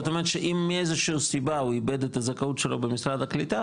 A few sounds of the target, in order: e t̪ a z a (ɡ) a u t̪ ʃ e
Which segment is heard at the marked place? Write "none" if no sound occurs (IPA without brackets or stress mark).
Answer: k